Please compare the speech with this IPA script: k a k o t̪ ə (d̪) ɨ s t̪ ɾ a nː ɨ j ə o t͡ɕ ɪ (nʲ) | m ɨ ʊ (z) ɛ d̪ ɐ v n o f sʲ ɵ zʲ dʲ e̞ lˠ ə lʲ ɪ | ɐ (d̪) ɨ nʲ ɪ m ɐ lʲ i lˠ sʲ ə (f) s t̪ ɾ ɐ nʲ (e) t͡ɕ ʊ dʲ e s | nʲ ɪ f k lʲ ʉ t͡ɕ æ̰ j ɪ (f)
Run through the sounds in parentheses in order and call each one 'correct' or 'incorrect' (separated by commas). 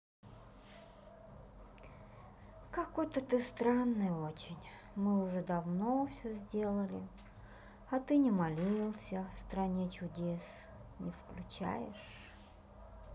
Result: incorrect, correct, incorrect, incorrect, correct, correct, incorrect